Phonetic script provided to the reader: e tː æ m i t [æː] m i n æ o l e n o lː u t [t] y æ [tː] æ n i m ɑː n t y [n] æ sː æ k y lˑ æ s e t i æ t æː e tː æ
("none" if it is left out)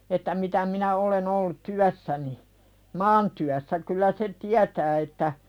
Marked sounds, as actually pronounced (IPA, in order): æ, t, sː, none

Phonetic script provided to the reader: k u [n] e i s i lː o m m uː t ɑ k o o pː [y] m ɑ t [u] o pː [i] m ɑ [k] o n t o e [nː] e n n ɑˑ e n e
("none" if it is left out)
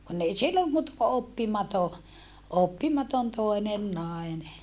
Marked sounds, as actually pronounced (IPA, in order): nː, i, o, i, t, n

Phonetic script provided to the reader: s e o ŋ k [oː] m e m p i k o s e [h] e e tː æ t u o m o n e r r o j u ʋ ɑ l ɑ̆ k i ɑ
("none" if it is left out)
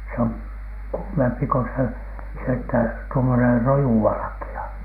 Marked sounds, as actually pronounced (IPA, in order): uː, s

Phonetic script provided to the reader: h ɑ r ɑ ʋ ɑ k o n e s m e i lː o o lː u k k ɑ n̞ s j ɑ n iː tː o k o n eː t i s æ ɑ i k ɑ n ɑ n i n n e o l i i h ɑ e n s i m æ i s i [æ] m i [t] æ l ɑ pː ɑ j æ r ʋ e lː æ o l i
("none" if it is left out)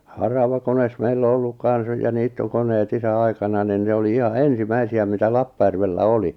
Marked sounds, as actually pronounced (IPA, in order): æ, t

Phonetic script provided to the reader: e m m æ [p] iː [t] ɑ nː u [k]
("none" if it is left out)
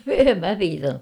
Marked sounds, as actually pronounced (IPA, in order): p, t, k

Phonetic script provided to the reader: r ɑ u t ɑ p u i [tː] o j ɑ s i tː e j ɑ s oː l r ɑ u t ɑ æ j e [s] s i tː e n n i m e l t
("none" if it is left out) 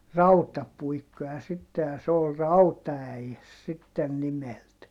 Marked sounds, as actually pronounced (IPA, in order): kː, s

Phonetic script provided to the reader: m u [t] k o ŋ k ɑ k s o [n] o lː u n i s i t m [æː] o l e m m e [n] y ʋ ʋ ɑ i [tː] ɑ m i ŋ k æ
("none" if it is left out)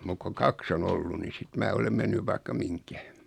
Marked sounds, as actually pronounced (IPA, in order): k, n, æː, nː, kː

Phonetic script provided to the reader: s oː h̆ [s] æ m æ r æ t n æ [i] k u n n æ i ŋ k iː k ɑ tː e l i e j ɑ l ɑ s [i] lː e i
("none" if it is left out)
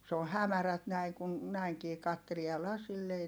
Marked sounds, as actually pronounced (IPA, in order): h, i, i

